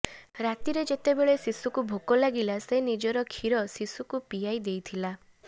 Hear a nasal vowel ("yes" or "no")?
no